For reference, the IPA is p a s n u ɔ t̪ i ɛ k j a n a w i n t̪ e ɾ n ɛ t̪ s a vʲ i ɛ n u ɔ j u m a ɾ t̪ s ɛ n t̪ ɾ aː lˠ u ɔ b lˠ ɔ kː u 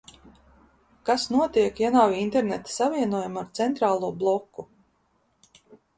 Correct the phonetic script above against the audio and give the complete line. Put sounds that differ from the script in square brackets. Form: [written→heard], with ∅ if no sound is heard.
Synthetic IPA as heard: [p→k] a s n u ɔ t̪ i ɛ k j a n a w i n t̪ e ɾ n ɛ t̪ s a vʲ i ɛ n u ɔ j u m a ɾ t̪ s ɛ n t̪ ɾ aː lˠ u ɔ b lˠ ɔ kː u